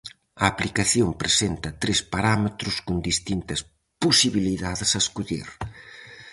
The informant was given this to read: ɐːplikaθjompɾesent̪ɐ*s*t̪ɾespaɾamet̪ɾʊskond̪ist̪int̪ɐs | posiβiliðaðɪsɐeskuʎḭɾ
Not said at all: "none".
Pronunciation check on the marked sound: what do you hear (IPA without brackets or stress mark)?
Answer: none